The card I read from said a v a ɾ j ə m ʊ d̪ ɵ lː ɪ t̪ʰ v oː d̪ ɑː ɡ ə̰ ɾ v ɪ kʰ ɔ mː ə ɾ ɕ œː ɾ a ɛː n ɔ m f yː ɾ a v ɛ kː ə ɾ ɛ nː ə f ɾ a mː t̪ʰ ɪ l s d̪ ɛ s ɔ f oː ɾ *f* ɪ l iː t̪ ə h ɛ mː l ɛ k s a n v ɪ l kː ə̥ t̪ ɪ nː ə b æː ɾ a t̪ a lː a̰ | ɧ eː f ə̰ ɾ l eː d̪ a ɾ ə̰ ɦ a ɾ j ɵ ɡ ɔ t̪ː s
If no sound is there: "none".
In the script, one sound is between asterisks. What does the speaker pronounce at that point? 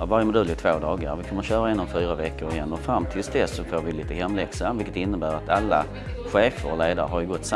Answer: v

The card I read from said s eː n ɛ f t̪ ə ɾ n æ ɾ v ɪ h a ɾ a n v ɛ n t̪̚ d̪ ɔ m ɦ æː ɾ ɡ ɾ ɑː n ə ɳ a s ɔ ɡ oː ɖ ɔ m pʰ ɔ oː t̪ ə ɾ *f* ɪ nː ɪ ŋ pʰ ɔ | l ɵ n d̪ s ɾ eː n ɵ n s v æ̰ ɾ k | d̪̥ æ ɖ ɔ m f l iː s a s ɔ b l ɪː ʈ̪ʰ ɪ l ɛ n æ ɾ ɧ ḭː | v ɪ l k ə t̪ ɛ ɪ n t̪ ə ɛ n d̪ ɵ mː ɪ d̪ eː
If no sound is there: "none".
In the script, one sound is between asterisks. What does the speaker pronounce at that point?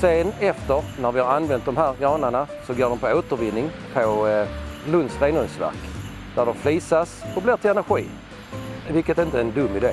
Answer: v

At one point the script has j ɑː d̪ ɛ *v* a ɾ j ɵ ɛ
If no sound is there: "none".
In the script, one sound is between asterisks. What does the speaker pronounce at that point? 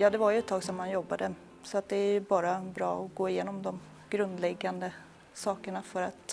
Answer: v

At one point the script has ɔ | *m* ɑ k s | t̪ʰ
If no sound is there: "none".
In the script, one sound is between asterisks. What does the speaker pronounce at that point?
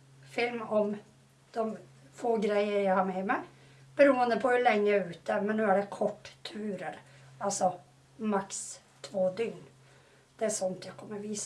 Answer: m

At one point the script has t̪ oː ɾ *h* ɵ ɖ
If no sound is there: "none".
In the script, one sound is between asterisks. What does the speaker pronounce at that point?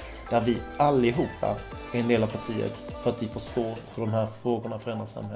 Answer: h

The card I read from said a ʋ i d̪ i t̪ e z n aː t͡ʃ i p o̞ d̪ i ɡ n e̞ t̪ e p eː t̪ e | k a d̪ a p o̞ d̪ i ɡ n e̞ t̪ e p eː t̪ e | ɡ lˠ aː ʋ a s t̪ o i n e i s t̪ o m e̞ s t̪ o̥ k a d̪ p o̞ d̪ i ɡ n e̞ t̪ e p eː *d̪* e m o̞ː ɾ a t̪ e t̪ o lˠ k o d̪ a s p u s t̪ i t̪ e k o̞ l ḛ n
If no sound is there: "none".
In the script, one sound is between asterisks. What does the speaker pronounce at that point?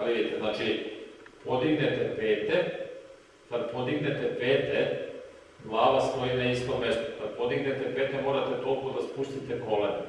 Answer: t̪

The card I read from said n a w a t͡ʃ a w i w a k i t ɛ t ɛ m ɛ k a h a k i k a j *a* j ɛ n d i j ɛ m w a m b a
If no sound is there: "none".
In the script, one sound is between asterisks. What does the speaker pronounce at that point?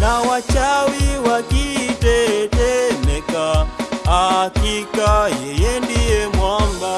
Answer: ɛ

